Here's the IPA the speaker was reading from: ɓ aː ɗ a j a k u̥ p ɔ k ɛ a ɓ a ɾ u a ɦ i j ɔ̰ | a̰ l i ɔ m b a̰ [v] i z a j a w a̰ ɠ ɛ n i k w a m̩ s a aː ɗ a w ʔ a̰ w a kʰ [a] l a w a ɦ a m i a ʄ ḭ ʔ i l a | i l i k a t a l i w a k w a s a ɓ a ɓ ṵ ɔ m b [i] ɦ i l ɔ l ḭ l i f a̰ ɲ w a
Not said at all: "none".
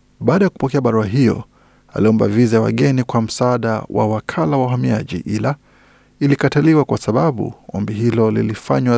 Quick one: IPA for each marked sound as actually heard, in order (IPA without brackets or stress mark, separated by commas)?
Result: v, a, i